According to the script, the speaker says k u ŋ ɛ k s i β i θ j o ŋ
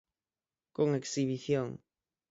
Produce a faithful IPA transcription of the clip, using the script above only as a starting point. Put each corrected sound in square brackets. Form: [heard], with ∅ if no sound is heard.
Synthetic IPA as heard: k [o] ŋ [e] k s i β i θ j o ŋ